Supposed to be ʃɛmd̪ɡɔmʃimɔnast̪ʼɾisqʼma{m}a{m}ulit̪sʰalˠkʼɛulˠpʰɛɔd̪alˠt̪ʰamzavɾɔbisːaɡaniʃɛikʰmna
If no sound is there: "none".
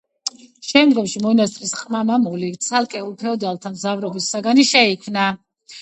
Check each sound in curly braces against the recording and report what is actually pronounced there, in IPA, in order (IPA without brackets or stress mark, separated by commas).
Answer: m, m